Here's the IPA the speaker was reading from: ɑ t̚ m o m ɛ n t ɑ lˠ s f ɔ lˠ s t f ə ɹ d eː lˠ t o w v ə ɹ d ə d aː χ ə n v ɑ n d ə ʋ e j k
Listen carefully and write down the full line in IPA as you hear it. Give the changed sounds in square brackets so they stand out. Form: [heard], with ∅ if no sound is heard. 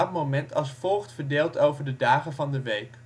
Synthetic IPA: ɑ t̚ m o m ɛ n t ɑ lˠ s f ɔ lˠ [χ] t f ə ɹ d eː lˠ t o w v ə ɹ d ə d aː χ ə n v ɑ n d ə ʋ e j k